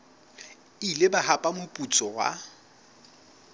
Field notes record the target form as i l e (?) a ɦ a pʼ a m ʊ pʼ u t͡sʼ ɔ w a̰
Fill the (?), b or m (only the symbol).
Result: b